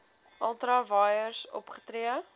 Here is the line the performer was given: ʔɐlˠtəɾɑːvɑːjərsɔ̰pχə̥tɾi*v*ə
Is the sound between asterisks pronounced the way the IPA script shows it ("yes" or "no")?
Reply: no